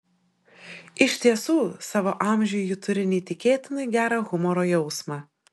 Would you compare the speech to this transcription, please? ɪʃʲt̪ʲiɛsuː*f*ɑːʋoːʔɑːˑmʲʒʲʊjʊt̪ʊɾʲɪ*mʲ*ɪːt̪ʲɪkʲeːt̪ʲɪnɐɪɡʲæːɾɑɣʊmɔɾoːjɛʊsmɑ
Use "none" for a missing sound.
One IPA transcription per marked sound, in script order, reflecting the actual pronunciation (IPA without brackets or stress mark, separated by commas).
s, nʲ